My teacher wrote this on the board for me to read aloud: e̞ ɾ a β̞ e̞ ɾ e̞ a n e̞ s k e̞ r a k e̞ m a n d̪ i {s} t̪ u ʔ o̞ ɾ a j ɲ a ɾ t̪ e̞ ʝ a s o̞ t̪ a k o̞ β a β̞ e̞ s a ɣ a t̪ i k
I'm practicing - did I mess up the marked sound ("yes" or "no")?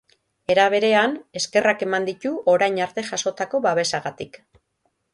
yes